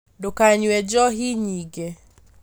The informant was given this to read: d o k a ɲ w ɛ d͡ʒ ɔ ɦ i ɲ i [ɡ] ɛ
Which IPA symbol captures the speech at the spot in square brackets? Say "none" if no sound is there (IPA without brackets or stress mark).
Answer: ɡ